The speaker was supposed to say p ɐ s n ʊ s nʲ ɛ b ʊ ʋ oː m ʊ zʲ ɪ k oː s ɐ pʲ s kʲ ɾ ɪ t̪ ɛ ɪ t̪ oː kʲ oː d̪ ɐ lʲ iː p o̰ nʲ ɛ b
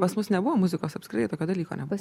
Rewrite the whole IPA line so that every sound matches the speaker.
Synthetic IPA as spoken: p ɐ s m ʊ s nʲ ɛ b ʊ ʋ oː m ʊ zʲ ɪ k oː s ɐ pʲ s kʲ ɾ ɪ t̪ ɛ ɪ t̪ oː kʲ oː d̪ ɐ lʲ iː k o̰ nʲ ɛ b